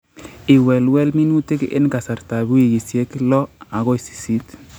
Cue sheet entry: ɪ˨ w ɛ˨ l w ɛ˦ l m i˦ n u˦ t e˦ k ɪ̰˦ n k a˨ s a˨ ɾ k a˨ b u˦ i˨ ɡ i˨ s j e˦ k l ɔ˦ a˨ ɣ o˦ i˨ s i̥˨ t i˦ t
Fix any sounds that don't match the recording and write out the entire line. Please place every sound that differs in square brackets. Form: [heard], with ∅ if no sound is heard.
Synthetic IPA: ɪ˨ w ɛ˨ l w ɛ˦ l m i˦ n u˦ t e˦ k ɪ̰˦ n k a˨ s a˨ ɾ [t] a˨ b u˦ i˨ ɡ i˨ s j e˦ k l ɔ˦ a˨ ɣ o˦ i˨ s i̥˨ [s] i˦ t